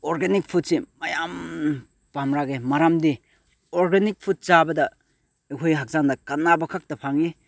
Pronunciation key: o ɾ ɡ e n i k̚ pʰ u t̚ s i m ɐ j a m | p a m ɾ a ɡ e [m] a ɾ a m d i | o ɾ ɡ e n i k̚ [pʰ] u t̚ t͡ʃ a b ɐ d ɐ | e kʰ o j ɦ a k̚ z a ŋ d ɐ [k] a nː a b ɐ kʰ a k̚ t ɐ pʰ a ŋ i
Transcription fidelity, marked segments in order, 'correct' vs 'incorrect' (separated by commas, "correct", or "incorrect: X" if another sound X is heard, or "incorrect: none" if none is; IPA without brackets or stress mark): correct, correct, correct